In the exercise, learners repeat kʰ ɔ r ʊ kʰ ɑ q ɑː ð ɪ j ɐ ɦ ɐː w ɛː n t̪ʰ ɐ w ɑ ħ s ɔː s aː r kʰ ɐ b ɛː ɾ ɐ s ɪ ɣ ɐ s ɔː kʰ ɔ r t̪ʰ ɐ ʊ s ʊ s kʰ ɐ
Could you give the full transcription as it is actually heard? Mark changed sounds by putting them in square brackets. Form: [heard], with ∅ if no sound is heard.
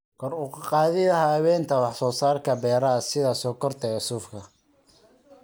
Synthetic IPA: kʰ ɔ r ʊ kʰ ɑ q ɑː ð ɪ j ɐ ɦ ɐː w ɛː n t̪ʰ ɐ w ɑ ħ s ɔː s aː r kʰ ɐ b ɛː ɾ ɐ s ɪ [ð] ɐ s ɔː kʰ ɔ r t̪ʰ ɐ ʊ s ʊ [f] kʰ ɐ